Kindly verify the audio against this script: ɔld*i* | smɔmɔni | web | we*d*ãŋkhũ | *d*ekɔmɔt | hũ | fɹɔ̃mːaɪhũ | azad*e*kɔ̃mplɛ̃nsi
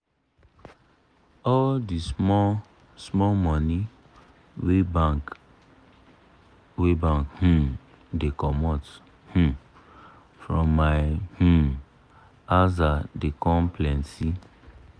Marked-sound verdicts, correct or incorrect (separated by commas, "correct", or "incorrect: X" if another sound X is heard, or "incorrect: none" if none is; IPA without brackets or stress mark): correct, incorrect: b, correct, correct